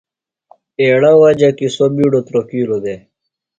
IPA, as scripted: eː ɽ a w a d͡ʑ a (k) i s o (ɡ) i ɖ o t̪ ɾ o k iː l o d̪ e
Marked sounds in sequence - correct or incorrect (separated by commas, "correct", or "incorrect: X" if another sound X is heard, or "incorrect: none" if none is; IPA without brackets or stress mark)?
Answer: correct, incorrect: b